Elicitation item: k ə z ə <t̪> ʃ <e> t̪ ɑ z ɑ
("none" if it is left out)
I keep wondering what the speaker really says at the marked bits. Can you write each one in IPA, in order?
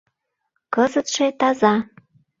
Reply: t̪, e

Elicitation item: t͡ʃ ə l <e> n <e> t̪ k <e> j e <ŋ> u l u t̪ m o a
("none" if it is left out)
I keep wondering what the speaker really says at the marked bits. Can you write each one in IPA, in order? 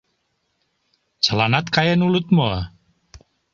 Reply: a, a, a, n

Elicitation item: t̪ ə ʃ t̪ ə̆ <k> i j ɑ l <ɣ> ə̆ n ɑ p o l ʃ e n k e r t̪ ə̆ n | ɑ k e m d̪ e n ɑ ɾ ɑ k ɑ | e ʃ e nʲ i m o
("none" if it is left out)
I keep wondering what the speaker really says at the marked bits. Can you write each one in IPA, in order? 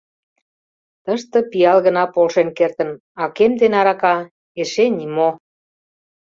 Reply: p, ɣ

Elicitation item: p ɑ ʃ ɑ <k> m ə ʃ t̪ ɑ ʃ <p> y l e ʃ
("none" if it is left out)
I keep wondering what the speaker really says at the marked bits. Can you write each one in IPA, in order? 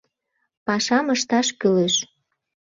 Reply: none, k

